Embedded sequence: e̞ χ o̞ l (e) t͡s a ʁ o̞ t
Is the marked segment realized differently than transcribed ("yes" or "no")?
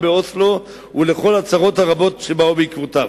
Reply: yes